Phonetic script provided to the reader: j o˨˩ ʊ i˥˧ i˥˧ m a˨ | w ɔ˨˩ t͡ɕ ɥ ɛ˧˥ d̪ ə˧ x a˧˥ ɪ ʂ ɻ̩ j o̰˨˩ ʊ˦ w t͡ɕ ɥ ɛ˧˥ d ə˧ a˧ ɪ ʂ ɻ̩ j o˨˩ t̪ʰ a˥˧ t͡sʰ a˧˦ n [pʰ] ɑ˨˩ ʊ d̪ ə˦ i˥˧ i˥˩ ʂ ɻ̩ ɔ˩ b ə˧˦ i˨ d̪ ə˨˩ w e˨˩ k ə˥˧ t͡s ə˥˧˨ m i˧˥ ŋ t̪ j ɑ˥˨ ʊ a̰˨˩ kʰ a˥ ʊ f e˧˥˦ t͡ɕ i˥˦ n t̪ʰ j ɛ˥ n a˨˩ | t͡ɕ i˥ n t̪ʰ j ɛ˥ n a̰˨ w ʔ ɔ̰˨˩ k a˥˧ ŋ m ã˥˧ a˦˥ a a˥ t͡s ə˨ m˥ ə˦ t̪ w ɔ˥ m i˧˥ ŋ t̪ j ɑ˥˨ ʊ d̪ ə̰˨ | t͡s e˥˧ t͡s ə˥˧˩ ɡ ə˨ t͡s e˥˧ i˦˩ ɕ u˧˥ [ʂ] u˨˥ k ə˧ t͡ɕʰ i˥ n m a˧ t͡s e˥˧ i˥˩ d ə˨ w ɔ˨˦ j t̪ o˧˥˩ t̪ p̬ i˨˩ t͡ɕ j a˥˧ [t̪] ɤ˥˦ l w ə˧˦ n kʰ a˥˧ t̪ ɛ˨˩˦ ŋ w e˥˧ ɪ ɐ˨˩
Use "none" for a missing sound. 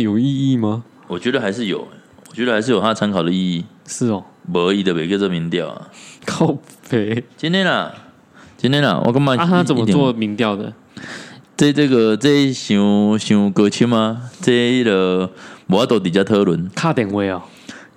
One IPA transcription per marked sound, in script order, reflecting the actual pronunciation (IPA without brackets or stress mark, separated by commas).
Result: kʰ, ɕ, t̪ʰ